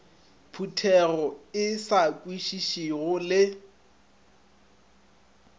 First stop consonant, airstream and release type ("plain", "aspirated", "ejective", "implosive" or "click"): aspirated